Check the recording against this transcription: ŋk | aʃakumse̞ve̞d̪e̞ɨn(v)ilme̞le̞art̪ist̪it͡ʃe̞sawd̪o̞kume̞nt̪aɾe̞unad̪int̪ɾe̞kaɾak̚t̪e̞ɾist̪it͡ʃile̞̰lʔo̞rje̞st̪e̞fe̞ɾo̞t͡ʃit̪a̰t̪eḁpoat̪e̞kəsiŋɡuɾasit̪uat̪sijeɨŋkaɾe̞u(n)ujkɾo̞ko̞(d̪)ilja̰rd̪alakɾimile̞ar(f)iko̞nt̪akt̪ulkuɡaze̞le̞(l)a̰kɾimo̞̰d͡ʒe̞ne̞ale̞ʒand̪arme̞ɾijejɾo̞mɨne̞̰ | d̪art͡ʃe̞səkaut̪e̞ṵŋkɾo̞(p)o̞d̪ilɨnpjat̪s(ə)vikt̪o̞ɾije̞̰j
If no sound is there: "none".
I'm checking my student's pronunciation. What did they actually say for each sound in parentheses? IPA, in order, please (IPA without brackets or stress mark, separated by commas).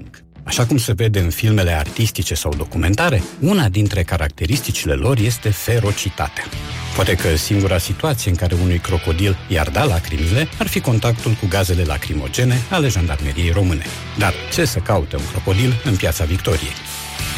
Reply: f, n, d̪, f, l, k, a